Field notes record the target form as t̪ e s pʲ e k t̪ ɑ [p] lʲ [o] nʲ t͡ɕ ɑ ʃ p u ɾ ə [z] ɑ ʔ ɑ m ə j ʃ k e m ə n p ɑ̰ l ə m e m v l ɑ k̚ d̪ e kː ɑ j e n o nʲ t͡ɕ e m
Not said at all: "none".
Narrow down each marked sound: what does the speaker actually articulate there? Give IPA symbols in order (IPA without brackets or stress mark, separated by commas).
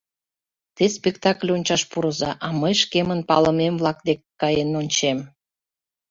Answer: k, o, z